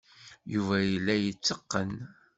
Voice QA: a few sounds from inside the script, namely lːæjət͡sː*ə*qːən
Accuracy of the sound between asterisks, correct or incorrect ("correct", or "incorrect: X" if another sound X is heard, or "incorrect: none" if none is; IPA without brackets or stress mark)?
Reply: correct